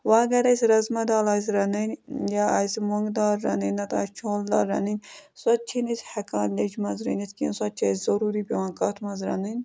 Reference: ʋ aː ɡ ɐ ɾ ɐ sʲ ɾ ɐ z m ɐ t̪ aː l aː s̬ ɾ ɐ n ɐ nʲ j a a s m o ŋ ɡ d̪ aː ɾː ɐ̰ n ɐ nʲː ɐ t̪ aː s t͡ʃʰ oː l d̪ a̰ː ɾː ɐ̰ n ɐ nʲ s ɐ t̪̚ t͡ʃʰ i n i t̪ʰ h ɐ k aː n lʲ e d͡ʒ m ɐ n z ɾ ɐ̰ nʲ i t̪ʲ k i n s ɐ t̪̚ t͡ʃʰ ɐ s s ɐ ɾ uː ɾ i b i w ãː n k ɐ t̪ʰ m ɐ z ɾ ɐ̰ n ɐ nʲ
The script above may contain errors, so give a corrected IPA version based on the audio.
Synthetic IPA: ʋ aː ɡ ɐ ɾ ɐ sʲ ɾ ɐ z m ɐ d̪ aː l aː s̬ ɾ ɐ n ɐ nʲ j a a s m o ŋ ɡ d̪ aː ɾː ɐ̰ n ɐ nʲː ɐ t̪ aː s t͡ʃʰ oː l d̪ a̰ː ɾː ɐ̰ n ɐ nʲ s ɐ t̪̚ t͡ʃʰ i n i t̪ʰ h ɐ k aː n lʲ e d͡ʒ m ɐ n z ɾ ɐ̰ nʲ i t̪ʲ k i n s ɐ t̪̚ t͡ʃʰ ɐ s z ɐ ɾ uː ɾ i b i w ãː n k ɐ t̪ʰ m ɐ z ɾ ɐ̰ n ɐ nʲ